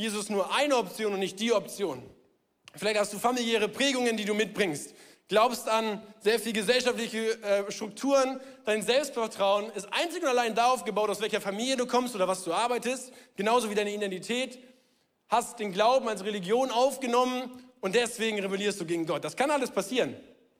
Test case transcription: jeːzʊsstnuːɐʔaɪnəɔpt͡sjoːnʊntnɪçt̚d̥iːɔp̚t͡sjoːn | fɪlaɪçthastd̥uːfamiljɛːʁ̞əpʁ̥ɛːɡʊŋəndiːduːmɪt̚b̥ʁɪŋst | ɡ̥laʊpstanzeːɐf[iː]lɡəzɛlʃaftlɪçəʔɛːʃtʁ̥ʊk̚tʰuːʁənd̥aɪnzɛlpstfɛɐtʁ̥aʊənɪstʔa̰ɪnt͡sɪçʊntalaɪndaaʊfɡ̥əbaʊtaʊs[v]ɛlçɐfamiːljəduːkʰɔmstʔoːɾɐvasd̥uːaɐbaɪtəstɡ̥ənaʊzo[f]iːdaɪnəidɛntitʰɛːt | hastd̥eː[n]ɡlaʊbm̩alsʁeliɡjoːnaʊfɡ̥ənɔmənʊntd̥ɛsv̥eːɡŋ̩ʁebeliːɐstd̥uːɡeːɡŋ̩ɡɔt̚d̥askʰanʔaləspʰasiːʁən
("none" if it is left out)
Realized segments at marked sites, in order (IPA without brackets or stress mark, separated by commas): iː, v, v, n